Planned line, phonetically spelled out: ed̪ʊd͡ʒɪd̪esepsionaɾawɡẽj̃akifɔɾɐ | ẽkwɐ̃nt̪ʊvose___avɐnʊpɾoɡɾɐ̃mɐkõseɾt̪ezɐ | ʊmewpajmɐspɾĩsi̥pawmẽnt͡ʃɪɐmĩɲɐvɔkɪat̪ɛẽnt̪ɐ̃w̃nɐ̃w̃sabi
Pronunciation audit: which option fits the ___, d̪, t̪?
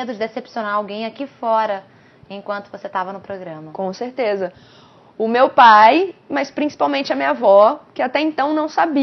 t̪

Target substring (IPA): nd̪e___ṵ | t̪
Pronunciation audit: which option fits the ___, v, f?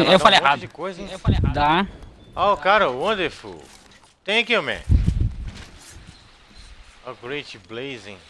f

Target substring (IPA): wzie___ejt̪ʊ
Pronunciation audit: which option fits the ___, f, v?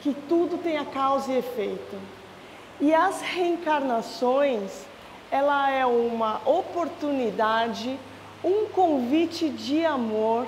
f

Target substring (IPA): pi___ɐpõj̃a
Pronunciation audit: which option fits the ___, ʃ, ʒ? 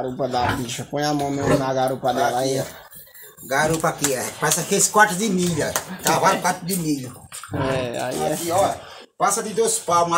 ʃ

